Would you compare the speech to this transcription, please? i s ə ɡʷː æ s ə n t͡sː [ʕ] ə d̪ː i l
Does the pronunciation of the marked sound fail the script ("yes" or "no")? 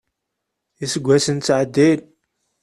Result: no